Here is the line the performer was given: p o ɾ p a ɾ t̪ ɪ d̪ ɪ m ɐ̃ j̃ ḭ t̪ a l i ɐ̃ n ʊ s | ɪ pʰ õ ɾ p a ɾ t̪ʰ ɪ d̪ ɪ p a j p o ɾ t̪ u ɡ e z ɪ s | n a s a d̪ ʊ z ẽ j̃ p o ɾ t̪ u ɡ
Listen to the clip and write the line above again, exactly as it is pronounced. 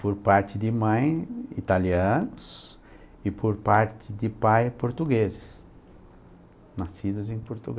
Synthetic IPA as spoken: p o ɾ p a ɾ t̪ ɪ d̪ ɪ m ɐ̃ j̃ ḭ t̪ a l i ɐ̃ n ʊ s | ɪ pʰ o ɾ p a ɾ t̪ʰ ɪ d̪ ɪ p a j p o ɾ t̪ u ɡ e z ɪ s | n a s i d̪ ʊ z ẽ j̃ p o ɾ t̪ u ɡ